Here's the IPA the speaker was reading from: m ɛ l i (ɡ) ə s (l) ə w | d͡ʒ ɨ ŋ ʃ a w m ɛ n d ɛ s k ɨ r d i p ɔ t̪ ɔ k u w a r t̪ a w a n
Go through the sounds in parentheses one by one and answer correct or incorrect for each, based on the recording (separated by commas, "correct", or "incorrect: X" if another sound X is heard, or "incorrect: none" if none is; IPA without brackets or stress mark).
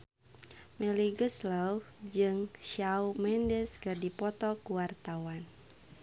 correct, correct